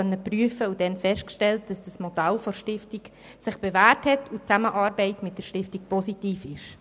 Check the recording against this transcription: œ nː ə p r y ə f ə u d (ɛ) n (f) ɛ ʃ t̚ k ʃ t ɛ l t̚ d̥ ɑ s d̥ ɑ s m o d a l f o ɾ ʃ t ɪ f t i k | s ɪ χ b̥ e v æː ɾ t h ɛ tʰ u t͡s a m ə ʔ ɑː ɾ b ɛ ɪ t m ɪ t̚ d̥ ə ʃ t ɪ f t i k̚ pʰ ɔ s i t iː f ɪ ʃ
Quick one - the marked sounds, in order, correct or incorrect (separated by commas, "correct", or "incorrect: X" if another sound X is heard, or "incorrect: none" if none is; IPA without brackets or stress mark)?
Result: correct, correct